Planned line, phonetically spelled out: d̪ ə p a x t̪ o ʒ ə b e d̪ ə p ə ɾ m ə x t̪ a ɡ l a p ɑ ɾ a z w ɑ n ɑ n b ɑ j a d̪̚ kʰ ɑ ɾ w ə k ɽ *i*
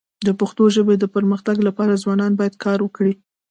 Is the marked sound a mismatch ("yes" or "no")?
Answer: no